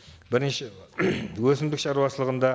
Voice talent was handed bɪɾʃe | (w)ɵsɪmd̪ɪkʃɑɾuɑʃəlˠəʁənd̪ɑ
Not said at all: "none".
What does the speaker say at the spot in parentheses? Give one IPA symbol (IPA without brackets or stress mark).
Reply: w